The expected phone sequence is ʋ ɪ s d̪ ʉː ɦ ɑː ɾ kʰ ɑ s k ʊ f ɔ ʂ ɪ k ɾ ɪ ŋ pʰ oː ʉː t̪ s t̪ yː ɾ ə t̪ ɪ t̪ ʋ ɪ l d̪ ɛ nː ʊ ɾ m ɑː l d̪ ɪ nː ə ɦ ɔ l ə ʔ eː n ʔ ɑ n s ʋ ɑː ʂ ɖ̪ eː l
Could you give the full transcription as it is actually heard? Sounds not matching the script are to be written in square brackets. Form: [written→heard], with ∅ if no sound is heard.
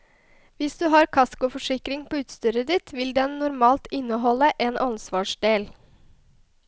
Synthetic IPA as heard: ʋ ɪ s d̪ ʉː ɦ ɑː ɾ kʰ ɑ s k ʊ f ɔ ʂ ɪ k ɾ ɪ ŋ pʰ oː ʉː t̪ s t̪ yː ɾ ə [t̪→d̪] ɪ t̪ ʋ ɪ l d̪ ɛ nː ʊ ɾ m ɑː l [d̪→t̪] ɪ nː ə ɦ ɔ l ə ʔ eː n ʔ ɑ n s ʋ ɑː ʂ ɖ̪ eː l